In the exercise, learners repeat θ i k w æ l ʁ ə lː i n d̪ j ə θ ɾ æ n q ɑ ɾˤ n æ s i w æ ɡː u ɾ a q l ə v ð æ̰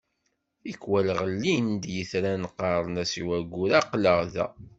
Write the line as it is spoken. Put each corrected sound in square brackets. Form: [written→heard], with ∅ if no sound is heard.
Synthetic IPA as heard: θ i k w æ l ʁ ə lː i n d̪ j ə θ ɾ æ n q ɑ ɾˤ n æ s i w æ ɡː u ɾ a q l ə [v→ʁ] ð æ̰